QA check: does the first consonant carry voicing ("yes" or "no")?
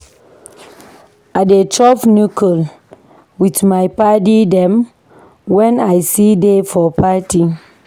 yes